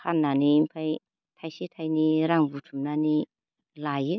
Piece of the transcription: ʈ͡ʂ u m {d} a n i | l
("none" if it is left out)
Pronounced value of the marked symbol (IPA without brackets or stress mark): n